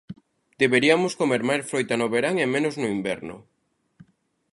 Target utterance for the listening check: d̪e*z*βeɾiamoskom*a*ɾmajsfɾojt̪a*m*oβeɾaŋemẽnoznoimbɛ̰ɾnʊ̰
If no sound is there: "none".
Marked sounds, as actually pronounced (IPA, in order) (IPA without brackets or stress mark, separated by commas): none, e, n